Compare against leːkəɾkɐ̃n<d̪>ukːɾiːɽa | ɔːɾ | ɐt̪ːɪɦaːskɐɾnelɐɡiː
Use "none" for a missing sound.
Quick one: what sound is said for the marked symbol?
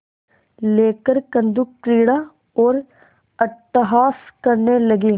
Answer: d̪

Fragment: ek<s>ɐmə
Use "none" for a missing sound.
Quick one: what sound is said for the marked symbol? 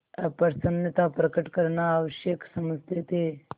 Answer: s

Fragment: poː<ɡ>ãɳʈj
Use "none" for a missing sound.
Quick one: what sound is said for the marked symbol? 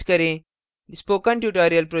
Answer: k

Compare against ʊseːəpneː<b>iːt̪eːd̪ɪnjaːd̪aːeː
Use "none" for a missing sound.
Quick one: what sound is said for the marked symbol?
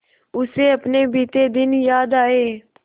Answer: b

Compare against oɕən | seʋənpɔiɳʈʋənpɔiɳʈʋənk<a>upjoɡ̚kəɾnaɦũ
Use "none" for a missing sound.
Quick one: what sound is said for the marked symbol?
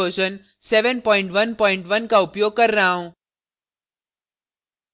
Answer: a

